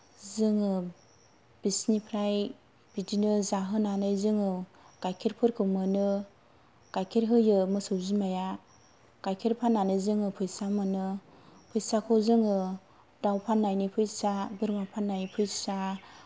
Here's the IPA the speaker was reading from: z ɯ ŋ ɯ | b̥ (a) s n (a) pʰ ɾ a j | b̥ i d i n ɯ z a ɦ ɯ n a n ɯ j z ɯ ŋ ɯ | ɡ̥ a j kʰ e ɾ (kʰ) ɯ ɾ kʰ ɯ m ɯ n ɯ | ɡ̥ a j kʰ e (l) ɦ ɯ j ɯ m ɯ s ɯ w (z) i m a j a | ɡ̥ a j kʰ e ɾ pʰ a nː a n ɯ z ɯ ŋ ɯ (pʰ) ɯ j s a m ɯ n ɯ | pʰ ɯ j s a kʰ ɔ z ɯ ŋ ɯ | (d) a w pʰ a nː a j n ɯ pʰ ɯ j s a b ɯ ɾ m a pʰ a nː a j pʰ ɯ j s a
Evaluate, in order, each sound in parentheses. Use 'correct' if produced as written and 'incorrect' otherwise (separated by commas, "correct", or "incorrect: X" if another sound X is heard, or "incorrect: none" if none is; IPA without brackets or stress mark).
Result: incorrect: i, incorrect: i, incorrect: pʰ, incorrect: ɾ, correct, correct, correct